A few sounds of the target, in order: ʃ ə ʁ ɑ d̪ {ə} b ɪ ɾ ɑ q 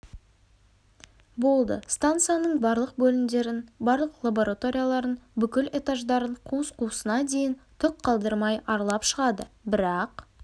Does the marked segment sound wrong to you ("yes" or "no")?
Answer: no